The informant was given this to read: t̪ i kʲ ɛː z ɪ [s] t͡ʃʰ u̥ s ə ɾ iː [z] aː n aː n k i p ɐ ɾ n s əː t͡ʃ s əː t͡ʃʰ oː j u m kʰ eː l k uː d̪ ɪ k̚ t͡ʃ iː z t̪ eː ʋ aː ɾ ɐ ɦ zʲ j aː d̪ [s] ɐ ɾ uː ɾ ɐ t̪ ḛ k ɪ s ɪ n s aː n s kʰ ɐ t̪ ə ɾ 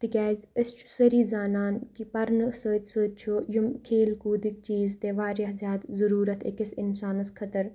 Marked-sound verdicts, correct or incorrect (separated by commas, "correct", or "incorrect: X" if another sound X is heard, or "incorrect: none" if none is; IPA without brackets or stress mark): correct, correct, incorrect: z